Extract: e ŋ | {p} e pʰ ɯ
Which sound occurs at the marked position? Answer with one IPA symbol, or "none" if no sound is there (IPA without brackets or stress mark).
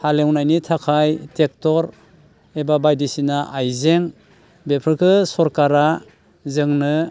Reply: b